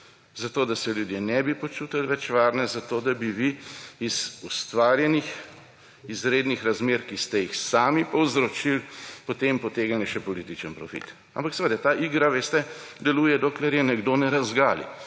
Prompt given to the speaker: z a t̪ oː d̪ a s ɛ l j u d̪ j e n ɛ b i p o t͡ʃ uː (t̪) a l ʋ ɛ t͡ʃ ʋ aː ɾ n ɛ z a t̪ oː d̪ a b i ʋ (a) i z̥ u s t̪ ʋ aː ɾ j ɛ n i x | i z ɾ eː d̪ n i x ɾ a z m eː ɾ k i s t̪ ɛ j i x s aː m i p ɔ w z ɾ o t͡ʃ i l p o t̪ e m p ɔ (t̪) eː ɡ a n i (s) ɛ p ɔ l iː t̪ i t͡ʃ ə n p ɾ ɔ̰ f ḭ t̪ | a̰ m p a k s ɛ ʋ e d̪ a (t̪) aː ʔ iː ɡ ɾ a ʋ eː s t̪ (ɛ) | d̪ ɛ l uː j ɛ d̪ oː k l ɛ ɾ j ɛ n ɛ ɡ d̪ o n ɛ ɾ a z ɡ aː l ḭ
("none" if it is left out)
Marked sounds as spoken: t̪, i, t̪, ʃ, t̪, ɛ

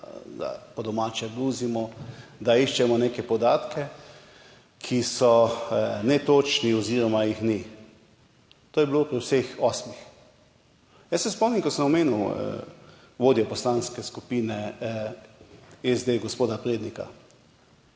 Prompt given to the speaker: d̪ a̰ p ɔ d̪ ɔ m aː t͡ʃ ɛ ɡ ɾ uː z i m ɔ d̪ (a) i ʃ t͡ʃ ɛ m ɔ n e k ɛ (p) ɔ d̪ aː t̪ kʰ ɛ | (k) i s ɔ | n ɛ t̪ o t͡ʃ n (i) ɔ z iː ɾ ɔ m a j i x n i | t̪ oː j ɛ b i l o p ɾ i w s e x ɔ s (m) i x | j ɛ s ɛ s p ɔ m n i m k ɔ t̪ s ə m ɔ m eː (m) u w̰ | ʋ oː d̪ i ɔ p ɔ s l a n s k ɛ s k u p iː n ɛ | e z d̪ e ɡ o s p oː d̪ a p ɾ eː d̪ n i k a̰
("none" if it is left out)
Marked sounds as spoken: a, p, kʰ, i, m, n

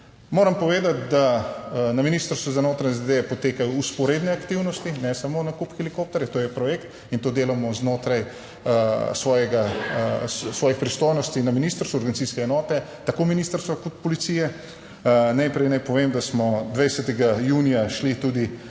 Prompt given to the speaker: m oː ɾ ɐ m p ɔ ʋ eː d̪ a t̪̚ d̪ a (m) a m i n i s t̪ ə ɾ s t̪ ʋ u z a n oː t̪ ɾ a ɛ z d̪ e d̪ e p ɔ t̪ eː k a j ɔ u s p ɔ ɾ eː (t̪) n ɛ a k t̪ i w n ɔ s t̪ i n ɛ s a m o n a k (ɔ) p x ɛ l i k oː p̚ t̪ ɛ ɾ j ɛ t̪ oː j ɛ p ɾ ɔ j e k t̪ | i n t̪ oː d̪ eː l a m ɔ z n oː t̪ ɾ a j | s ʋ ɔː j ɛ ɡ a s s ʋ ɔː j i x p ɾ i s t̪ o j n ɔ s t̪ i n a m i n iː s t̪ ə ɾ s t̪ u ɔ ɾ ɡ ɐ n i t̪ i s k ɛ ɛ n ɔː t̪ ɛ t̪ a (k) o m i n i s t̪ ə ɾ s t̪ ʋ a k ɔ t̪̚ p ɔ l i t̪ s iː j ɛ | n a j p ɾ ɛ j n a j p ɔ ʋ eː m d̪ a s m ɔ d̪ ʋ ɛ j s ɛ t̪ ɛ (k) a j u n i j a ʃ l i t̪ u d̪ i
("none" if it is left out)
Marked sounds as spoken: n, d̪, u, k, ɡ

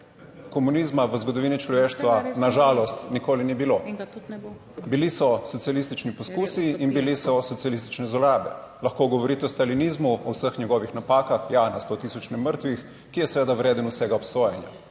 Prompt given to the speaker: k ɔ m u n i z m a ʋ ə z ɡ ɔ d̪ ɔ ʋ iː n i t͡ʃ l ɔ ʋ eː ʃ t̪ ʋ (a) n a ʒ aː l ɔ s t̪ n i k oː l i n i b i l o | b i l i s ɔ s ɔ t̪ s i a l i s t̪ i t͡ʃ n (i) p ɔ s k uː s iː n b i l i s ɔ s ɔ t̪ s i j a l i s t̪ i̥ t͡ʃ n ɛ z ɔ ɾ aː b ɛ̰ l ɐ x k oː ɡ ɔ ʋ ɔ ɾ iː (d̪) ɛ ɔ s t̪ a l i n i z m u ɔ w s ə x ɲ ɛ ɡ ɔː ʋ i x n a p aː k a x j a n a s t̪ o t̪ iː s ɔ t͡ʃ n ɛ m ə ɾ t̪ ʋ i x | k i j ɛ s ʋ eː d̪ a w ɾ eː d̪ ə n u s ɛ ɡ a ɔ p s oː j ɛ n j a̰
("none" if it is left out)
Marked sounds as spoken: a, i, t̪

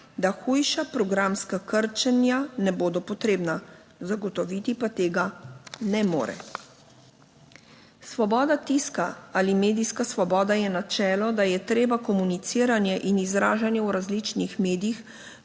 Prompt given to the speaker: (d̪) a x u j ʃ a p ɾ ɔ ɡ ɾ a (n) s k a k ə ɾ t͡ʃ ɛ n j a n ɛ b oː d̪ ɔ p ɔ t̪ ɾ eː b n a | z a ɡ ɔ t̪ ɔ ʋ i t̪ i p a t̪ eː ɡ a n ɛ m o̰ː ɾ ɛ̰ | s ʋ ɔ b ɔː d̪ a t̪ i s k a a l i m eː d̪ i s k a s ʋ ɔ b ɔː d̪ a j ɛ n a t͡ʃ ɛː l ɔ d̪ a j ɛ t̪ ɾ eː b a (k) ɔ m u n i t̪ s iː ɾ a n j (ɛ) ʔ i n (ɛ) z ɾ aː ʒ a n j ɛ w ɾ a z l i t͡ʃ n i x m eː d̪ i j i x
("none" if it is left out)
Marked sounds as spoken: d̪, m, k, ɛ, i

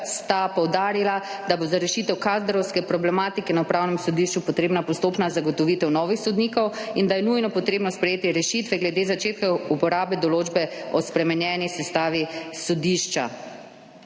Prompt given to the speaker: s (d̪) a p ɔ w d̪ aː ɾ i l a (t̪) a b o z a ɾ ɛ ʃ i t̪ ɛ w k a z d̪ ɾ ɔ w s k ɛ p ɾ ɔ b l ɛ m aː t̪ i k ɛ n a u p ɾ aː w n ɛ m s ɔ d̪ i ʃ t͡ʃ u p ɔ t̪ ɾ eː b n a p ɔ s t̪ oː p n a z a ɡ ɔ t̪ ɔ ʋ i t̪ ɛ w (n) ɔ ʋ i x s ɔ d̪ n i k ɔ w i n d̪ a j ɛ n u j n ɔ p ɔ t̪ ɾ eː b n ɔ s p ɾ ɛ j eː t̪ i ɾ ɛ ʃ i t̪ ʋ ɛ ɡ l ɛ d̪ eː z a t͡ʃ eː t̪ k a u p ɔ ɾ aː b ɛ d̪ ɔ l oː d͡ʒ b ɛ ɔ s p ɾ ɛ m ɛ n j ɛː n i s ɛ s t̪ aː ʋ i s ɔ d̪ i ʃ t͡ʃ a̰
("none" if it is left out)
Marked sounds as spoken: t̪, d̪, n

